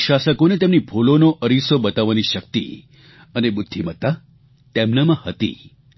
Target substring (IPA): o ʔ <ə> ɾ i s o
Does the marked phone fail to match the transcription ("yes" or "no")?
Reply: no